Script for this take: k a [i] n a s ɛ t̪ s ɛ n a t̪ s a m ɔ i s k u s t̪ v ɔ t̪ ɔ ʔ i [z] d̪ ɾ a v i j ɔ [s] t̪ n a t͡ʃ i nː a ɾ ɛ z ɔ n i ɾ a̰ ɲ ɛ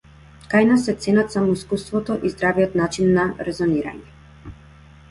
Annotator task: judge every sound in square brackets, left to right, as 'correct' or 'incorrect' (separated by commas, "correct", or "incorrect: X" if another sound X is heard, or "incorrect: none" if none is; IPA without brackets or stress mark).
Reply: incorrect: j, correct, incorrect: none